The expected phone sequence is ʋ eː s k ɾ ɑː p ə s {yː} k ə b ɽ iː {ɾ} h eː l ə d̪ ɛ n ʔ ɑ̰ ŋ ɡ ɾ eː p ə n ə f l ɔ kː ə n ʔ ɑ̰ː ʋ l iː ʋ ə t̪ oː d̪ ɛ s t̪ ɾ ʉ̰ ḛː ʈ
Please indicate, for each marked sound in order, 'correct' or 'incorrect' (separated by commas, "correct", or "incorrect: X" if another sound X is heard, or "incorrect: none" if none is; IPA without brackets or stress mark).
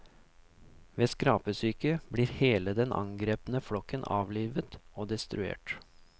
correct, correct